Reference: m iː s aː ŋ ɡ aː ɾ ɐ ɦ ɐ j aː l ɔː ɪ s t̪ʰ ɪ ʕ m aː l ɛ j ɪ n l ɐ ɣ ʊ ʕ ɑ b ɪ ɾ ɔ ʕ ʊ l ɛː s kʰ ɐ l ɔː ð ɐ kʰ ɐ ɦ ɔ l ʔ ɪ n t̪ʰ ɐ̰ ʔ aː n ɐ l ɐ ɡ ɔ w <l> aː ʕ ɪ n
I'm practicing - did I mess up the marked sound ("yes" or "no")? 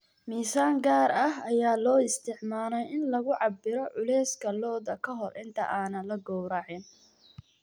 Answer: yes